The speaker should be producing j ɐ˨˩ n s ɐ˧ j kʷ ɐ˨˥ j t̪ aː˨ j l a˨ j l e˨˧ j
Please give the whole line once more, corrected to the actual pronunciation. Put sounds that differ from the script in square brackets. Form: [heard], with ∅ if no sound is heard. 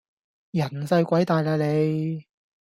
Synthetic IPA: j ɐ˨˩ n s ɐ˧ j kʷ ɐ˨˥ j t̪ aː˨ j l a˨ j l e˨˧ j